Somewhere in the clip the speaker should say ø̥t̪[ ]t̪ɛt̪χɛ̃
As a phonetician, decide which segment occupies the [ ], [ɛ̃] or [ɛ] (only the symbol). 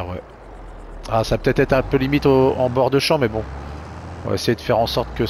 ɛ